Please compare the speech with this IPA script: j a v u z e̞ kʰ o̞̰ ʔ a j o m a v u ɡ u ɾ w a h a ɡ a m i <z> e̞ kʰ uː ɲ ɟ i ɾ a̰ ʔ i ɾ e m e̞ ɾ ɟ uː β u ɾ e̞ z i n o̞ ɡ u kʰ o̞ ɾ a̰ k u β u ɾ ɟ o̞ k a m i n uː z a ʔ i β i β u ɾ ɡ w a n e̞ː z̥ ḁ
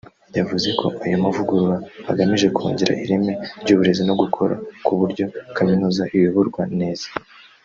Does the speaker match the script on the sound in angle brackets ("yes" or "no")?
no